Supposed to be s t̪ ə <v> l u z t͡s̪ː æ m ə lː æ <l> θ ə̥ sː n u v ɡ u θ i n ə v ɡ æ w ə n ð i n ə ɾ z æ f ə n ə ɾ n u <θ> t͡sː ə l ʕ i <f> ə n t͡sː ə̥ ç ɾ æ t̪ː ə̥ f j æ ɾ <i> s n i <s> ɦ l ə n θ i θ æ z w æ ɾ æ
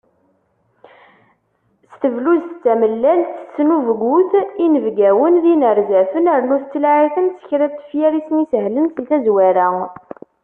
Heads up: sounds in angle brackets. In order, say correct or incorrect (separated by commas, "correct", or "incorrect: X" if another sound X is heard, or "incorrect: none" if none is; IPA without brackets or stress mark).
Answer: correct, correct, correct, incorrect: θ, correct, correct